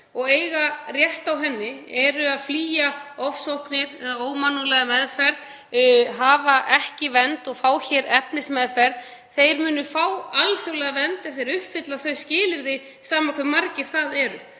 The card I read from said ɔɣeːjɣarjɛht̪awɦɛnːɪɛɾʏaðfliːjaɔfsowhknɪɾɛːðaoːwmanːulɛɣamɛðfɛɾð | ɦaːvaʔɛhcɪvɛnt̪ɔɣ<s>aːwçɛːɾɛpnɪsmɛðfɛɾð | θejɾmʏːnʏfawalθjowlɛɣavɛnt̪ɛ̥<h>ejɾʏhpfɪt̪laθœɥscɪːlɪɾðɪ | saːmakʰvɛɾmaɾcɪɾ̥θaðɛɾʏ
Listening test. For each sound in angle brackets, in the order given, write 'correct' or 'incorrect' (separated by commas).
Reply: incorrect, incorrect